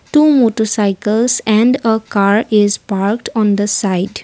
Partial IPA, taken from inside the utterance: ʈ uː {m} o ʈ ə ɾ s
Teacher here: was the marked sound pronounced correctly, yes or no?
yes